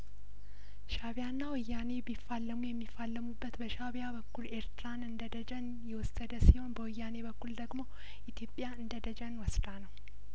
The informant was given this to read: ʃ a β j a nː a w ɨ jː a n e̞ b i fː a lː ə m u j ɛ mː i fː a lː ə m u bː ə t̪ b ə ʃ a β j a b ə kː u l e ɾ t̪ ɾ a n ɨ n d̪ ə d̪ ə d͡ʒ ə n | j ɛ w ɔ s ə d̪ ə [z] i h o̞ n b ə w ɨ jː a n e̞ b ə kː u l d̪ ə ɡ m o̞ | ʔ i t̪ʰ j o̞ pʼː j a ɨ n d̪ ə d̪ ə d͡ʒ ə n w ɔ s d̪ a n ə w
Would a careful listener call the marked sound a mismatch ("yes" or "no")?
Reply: yes